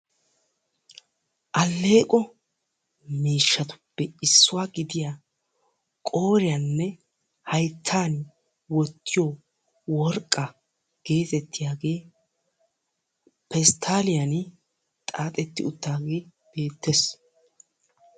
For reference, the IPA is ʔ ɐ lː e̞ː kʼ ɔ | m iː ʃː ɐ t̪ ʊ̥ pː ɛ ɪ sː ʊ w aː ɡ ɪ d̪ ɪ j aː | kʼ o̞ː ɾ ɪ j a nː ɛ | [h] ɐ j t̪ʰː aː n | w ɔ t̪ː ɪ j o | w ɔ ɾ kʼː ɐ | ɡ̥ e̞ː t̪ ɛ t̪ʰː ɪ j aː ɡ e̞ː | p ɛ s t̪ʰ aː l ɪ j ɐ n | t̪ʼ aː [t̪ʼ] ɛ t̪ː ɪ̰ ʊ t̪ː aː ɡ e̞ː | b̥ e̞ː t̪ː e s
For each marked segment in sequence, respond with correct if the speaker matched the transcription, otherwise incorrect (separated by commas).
correct, correct